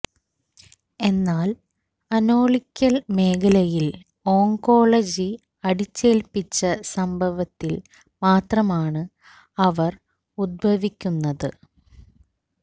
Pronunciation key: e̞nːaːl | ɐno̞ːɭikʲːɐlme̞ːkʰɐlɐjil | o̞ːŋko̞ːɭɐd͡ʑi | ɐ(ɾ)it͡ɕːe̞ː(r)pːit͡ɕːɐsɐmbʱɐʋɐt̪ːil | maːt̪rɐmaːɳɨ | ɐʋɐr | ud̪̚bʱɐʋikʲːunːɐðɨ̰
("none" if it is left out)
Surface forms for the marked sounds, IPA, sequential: ɽ, l

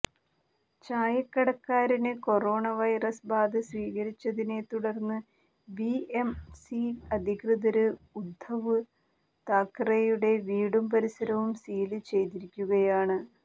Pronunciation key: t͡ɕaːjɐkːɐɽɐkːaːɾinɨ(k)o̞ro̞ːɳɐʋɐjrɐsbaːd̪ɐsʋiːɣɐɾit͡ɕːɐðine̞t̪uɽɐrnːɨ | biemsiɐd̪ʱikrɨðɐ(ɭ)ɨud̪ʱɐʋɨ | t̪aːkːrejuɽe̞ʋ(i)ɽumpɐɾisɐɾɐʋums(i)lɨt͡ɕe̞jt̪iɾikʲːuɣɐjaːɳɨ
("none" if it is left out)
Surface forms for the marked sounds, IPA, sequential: k, ɾ, iː, iː

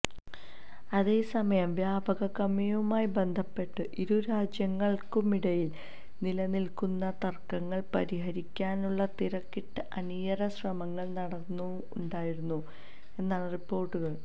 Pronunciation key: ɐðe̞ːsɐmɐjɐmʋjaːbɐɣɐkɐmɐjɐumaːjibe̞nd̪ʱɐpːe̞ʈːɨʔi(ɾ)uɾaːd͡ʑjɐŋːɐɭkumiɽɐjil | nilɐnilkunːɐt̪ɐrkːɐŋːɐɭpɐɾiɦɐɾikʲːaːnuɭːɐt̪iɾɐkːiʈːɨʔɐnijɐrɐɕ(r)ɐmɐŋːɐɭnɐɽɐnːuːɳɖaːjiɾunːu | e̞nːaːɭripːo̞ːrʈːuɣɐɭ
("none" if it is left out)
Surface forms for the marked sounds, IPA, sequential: ɾ, r

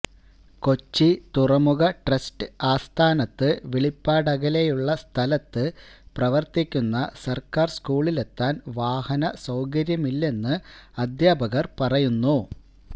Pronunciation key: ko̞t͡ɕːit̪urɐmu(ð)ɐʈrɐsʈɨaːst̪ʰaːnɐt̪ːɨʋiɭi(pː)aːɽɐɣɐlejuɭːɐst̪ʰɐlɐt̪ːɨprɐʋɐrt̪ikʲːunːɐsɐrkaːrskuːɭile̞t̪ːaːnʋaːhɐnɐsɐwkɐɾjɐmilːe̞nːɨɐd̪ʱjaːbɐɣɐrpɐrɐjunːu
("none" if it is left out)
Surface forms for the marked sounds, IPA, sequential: ɣ, pː

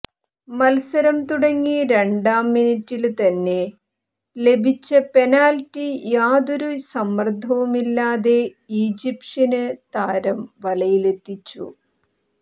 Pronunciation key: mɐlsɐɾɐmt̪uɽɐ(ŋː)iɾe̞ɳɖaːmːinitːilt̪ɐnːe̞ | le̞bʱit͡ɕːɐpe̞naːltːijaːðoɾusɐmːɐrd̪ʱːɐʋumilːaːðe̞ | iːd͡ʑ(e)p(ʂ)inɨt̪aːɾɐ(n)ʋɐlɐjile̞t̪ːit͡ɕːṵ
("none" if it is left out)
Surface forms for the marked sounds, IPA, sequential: ŋː, i, ʂ, m

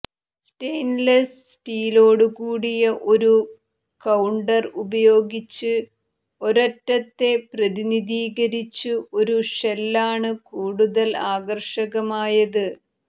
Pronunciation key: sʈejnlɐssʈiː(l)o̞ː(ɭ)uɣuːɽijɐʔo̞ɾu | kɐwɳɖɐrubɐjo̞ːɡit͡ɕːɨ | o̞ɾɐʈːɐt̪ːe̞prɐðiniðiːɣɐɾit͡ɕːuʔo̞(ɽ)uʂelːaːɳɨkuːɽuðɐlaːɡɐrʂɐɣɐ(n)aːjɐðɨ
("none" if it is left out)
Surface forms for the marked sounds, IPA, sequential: l, ɽ, ɾ, m

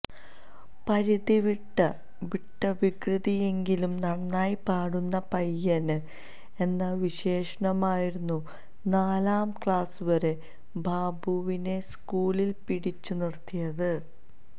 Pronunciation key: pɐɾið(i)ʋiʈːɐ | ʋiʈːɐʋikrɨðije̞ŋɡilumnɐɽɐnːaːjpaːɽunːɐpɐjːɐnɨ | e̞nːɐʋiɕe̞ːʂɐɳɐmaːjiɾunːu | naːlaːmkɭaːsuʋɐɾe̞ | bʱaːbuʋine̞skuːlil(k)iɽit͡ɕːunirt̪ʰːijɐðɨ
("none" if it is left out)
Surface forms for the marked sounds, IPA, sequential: i, p

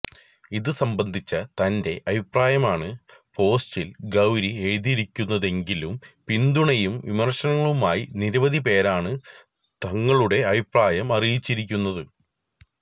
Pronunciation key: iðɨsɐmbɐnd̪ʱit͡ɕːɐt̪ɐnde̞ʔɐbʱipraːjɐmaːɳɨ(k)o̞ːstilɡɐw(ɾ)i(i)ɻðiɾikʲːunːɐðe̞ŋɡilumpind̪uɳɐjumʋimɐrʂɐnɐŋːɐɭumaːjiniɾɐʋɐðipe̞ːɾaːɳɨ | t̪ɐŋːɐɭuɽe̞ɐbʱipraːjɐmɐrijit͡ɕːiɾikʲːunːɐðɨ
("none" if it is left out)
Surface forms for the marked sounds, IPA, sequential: p, ɾ, e

